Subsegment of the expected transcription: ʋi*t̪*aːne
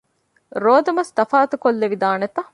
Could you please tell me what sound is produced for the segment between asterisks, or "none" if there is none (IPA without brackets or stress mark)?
d̪